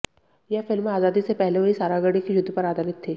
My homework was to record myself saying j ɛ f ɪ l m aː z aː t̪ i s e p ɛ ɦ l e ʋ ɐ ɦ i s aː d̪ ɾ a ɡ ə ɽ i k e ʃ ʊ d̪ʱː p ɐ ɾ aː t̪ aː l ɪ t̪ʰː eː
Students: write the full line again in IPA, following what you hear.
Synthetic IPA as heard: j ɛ f ɪ l m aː z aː d̪ i s e p ɛ ɦ l e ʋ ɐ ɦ i s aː ɾ a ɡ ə ɽ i k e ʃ ʊ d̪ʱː p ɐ ɾ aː d̪ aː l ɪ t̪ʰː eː